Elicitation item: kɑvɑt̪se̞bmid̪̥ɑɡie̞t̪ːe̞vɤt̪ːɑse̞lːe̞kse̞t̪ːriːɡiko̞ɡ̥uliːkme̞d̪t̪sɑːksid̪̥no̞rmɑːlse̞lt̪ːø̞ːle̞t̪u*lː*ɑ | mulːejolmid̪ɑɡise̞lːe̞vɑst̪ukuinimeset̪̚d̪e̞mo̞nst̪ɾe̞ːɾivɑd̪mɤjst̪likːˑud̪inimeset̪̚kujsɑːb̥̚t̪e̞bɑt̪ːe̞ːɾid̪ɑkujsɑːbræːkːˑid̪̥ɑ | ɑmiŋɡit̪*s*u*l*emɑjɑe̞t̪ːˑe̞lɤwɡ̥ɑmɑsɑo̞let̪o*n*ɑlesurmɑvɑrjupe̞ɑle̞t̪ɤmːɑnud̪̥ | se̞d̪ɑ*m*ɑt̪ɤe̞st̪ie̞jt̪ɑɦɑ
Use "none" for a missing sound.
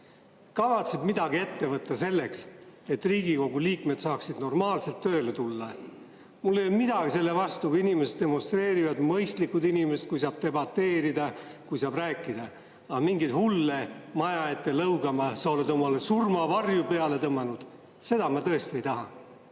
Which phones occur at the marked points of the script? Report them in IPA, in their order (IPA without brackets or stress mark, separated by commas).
lː, h, lː, m, m